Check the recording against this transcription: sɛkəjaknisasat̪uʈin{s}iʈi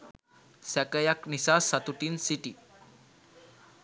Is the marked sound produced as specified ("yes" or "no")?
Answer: yes